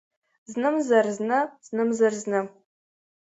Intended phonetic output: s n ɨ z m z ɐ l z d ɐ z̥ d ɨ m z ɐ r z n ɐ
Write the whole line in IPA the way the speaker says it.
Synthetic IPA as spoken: z n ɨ m z ɐ r z n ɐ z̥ n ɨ m z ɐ r z n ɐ